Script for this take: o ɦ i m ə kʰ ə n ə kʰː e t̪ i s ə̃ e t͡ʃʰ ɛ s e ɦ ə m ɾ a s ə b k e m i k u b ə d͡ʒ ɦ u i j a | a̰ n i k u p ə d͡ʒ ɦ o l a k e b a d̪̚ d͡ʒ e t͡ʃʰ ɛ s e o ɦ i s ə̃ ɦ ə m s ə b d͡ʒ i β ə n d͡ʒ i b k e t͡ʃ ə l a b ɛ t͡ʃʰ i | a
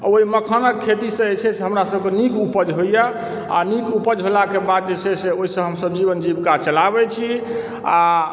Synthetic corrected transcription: o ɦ i m ə kʰ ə n ə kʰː e t̪ i s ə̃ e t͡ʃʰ ɛ s e ɦ ə m ɾ a s ə b k e n i k u p ə d͡ʒ ɦ o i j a | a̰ n i k u p ə d͡ʒ ɦ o l a k e b a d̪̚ d͡ʒ e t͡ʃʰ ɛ s e o ɦ i s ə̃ ɦ ə m s ə b d͡ʒ i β ə n d͡ʒ i b k a t͡ʃ ə l a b ɛ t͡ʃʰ i | a